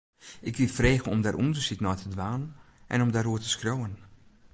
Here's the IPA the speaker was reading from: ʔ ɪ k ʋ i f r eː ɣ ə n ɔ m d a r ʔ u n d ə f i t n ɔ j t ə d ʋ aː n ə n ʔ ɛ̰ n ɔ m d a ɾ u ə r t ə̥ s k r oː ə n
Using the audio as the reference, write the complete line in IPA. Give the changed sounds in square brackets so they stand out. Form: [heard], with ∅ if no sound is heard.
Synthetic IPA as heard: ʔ ɪ k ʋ i f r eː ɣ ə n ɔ m d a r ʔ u n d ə [s] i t n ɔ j t ə d ʋ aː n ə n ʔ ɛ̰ n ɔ m d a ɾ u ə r t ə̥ s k r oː ə n

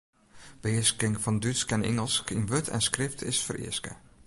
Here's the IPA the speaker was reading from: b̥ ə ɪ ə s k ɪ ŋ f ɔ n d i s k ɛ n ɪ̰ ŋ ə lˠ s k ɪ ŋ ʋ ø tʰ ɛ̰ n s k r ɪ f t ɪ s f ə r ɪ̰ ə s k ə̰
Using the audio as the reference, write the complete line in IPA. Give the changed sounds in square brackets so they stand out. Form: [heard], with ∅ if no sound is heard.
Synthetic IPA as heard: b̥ ə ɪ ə s k ɪ ŋ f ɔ n d [y] s k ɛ n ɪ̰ ŋ ə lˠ s k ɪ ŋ ʋ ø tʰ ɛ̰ n s k r ɪ f t ɪ s f ə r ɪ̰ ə s k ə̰

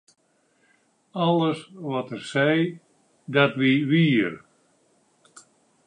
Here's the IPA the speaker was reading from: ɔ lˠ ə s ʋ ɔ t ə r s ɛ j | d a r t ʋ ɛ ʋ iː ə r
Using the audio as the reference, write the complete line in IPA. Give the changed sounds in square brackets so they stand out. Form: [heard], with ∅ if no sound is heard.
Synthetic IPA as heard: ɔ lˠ ə s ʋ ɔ t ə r s ɛ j | d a [∅] t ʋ [i] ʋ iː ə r

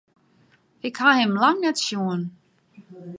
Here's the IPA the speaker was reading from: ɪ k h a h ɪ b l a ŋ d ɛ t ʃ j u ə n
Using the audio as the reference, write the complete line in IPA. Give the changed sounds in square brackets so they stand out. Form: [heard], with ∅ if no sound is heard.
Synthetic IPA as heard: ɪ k h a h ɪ [m] l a ŋ [n] ɛ t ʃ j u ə n

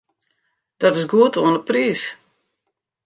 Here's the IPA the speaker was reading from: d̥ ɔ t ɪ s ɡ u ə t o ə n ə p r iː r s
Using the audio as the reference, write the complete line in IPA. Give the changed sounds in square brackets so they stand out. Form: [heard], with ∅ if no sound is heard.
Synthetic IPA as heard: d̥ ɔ t ɪ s ɡ u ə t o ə n ə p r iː [∅] s

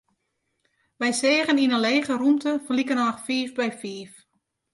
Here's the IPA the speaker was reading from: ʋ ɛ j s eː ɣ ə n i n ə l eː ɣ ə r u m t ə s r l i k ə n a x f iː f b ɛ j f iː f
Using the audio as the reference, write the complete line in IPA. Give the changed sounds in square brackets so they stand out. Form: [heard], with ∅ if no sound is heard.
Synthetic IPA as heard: ʋ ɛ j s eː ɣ ə n i n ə l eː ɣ ə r u m t ə [f] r l i k ə n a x f iː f b ɛ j f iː f

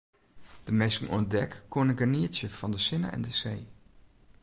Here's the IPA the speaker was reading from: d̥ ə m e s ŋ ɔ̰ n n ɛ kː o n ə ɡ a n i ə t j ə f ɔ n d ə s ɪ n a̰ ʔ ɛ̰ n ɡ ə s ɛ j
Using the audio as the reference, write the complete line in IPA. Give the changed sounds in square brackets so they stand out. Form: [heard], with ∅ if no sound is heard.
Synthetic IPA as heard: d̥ ə m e s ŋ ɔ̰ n [d] ɛ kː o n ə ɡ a n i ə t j ə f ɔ n d ə s ɪ n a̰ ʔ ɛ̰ n [d] ə s [e] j

